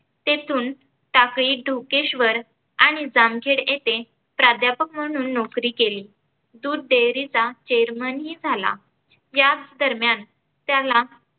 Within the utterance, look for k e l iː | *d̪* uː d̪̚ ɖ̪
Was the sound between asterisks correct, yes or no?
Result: yes